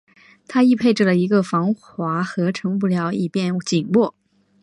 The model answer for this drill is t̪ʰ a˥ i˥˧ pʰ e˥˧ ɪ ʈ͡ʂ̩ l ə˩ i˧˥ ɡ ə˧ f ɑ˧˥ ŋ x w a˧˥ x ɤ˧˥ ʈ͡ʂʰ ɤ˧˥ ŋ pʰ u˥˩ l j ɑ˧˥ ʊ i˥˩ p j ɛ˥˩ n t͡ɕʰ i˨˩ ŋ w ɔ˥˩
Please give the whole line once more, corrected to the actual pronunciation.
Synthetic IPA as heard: t̪ʰ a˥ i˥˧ pʰ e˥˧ ɪ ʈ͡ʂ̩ l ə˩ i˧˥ ɡ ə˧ f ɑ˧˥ ŋ x w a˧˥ x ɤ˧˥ ʈ͡ʂʰ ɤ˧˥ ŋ p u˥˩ l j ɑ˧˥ ʊ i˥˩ p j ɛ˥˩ n t͡ɕ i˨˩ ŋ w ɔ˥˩